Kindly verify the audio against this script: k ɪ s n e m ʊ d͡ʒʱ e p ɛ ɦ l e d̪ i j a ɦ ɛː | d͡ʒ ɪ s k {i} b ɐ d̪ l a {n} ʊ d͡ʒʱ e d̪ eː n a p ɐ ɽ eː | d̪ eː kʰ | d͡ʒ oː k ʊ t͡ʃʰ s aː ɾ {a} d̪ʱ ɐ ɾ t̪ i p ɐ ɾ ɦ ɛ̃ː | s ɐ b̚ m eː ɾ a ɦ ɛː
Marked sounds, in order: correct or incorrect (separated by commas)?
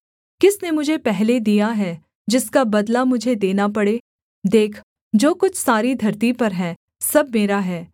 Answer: incorrect, incorrect, incorrect